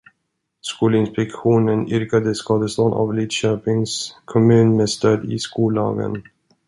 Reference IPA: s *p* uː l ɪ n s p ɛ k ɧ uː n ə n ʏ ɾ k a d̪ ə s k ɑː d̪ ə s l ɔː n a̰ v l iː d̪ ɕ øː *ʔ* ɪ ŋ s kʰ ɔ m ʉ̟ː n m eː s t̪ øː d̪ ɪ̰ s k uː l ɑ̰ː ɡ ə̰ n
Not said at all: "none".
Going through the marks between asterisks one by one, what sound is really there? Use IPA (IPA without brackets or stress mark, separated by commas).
k, p